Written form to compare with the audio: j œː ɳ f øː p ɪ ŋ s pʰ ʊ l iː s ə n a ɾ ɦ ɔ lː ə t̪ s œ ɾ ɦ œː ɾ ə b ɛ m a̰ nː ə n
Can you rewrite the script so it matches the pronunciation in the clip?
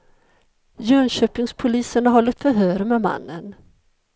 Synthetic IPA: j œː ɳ ɕ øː p ɪ ŋ s pʰ ʊ l iː s ə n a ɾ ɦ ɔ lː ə t̪ f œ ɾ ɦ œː ɾ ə m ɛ m a̰ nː ə n